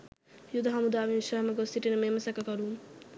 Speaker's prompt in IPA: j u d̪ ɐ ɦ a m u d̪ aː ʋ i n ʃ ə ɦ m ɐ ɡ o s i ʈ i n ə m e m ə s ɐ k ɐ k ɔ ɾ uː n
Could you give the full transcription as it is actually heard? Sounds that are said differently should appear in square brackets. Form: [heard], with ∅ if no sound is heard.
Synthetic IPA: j u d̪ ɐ ɦ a m u d̪ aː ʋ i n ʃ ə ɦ m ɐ ɡ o s i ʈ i n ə m e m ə s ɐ k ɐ k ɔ ɾ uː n